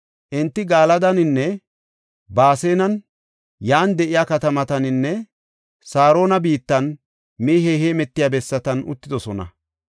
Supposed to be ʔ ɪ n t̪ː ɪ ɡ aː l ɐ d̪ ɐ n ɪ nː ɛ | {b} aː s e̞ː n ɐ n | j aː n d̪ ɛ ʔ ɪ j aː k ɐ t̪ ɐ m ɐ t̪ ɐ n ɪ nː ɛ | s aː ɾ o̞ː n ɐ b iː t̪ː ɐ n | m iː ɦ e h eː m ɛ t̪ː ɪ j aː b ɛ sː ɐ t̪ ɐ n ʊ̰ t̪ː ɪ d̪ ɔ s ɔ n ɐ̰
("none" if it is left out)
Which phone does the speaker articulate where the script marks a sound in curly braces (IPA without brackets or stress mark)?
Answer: b